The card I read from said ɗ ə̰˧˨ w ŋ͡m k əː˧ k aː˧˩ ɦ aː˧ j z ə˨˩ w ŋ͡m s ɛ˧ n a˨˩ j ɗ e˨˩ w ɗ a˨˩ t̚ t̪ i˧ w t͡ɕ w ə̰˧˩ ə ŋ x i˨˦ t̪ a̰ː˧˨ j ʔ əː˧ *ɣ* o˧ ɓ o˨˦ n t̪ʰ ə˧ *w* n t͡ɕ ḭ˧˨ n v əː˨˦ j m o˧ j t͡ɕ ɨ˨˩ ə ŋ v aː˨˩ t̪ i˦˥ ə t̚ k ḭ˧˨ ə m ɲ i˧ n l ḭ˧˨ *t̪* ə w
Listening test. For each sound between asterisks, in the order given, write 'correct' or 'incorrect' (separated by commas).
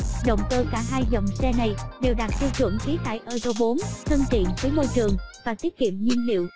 incorrect, incorrect, incorrect